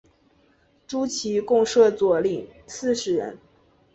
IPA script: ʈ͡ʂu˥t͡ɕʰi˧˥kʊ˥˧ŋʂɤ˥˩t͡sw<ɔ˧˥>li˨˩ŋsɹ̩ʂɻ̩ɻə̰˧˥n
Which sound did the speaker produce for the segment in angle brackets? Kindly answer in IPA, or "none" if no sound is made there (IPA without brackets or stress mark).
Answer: ɔ˨˩